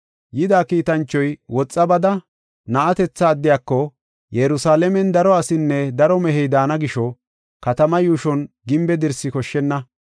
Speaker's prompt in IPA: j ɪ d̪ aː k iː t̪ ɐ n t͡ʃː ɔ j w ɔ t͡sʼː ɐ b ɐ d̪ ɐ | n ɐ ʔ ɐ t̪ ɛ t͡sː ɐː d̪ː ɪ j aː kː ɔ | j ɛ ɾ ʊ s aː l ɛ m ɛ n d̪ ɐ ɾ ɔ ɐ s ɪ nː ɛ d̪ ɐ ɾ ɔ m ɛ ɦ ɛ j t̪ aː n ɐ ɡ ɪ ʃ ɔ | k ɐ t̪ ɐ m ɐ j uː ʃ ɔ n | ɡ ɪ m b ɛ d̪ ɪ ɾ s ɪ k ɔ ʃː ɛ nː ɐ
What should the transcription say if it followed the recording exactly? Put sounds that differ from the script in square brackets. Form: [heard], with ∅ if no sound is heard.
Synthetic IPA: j ɪ d̪ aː k iː t̪ ɐ n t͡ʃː ɔ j w ɔ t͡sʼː ɐ b ɐ d̪ ɐ | n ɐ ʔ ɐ t̪ ɛ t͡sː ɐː d̪ː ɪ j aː kː ɔ | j ɛ ɾ ʊ s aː l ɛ m ɛ n d̪ ɐ ɾ ɔ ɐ s ɪ nː ɛ d̪ ɐ ɾ ɔ m ɛ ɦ ɛ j [d̪] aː n ɐ ɡ ɪ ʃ ɔ | k ɐ t̪ ɐ m ɐ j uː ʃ ɔ n | ɡ ɪ m b ɛ d̪ ɪ ɾ s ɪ k ɔ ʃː ɛ nː ɐ

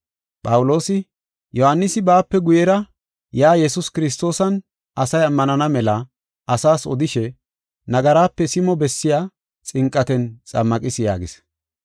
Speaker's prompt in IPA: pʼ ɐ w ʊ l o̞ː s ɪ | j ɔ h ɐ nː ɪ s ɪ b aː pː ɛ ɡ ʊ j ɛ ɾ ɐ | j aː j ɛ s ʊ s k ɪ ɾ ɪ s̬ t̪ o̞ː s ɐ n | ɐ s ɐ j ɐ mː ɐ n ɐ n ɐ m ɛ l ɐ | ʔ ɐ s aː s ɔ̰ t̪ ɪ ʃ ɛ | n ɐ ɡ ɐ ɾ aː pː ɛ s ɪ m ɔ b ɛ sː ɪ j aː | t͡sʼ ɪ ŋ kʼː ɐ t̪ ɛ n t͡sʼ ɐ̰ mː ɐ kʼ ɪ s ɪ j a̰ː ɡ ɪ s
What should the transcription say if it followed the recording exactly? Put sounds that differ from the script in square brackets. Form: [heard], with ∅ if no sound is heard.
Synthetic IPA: pʼ ɐ w ʊ l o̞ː s ɪ | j ɔ h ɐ nː ɪ s ɪ b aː pː ɛ ɡ ʊ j ɛ ɾ ɐ | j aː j ɛ s ʊ s k ɪ ɾ ɪ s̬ t̪ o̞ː s ɐ n | ɐ s ɐ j ɐ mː ɐ n ɐ n ɐ m ɛ l ɐ | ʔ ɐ s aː s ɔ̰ [d̪] ɪ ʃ ɛ | n ɐ ɡ ɐ ɾ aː pː ɛ s ɪ m ɔ b ɛ sː ɪ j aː | t͡sʼ ɪ ŋ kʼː ɐ t̪ ɛ n t͡sʼ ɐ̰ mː ɐ kʼ ɪ s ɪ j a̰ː ɡ ɪ s

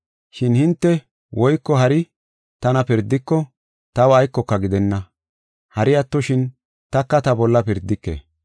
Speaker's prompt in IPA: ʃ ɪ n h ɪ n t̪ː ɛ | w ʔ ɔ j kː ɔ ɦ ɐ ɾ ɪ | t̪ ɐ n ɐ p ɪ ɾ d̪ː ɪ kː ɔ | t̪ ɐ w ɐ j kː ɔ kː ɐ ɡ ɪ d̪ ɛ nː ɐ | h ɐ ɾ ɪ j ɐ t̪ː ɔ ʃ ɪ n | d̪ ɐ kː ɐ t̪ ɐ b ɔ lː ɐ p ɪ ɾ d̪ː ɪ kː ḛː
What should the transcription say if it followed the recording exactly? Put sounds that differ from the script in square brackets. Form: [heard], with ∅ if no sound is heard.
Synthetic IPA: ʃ ɪ n h ɪ n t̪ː ɛ | w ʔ ɔ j kː ɔ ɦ ɐ ɾ ɪ | t̪ ɐ n ɐ p ɪ ɾ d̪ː ɪ kː ɔ | t̪ ɐ w ɐ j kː ɔ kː ɐ ɡ ɪ d̪ ɛ nː ɐ | h ɐ ɾ ɪ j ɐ t̪ː ɔ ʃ ɪ n | [t̪] ɐ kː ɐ t̪ ɐ b ɔ lː ɐ p ɪ ɾ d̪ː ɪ kː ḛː

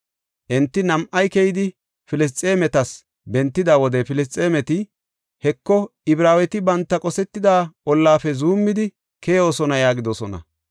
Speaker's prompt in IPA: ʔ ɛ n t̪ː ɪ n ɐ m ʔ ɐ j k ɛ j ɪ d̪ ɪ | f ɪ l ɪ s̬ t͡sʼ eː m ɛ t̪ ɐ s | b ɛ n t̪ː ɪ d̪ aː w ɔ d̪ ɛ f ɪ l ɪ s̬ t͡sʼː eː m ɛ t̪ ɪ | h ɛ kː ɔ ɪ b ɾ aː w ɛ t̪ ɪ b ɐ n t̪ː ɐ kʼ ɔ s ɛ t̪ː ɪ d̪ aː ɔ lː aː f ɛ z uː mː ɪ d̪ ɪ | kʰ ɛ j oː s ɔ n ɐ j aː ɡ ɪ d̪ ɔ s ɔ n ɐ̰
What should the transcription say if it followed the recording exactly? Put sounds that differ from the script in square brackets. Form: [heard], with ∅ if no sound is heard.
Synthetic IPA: ʔ ɛ n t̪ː ɪ n ɐ m ʔ ɐ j k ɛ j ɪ d̪ ɪ | f ɪ l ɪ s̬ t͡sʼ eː m ɛ t̪ ɐ s | b ɛ n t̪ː ɪ d̪ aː w ɔ d̪ ɛ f ɪ l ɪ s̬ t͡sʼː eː m ɛ t̪ ɪ | h ɛ kː ɔ ɪ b ɾ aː w ɛ t̪ ɪ b ɐ n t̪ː ɐ kʼ ɔ s ɛ t̪ː ɪ d̪ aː ɔ lː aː f ɛ z uː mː ɪ d̪ ɪ | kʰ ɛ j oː s ɔ n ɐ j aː ɡ ɪ d̪ ɔ s ɔ n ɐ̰

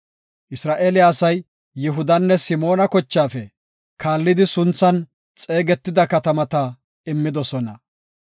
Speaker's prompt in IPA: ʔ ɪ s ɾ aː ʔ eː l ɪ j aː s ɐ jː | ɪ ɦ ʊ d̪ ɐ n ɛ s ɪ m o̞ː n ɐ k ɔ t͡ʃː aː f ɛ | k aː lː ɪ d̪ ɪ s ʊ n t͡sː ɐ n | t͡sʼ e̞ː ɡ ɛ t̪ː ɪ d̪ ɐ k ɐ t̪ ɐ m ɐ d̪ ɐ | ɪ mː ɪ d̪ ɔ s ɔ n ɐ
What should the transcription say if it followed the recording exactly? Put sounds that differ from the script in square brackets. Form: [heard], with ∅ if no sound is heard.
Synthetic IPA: ʔ ɪ s ɾ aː ʔ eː l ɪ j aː s ɐ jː | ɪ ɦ ʊ d̪ ɐ [nː] ɛ s ɪ m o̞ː n ɐ k ɔ t͡ʃː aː f ɛ | k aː lː ɪ d̪ ɪ s ʊ n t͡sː ɐ n | t͡sʼ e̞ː ɡ ɛ t̪ː ɪ d̪ ɐ k ɐ t̪ ɐ m ɐ [t̪] ɐ | ɪ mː ɪ d̪ ɔ s ɔ n ɐ

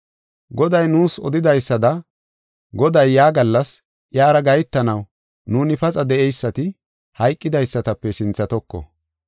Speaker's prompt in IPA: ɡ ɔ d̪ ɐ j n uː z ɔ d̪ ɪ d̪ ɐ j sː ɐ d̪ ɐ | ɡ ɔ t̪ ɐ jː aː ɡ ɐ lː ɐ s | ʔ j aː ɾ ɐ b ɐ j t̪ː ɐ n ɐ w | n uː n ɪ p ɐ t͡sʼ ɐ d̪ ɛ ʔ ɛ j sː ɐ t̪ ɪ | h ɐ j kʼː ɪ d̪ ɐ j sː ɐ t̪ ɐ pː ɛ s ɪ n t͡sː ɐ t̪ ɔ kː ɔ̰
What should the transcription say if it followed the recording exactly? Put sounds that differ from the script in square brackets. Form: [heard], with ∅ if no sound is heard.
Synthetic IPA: ɡ ɔ d̪ ɐ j n uː [s] ɔ d̪ ɪ d̪ ɐ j sː ɐ d̪ ɐ | ɡ ɔ [d̪] ɐ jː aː ɡ ɐ lː ɐ s | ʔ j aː ɾ ɐ [ɡ] ɐ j t̪ː ɐ n ɐ w | n uː n ɪ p ɐ t͡sʼ ɐ d̪ ɛ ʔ ɛ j sː ɐ t̪ ɪ | h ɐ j kʼː ɪ d̪ ɐ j sː ɐ t̪ ɐ pː ɛ s ɪ n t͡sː ɐ t̪ ɔ kː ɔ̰

